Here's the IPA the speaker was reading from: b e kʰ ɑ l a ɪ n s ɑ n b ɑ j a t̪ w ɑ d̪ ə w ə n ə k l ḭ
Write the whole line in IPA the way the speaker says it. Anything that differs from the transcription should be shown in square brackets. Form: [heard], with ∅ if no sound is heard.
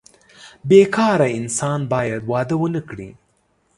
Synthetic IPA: b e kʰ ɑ [ɾ] a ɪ n s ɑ n b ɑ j a [d̪] w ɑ d̪ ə w ə n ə k [ɽ] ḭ